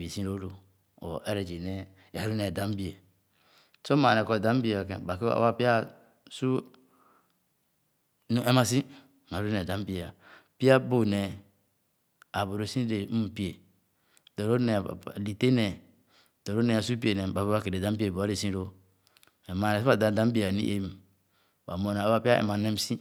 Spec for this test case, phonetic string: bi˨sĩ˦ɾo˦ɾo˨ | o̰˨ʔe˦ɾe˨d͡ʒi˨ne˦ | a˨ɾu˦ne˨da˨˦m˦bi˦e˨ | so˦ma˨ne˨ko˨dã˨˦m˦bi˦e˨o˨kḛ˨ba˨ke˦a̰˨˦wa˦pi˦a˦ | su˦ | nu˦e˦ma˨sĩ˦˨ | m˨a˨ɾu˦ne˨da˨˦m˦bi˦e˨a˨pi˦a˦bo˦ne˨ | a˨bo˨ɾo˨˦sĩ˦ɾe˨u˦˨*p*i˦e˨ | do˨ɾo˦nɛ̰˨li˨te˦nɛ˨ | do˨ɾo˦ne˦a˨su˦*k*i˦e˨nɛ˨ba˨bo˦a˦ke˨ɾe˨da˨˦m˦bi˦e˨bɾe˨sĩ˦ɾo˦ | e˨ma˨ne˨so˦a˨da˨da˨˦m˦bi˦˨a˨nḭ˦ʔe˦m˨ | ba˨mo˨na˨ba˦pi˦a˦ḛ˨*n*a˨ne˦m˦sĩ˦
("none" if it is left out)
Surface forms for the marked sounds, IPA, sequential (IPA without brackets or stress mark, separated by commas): p, p, m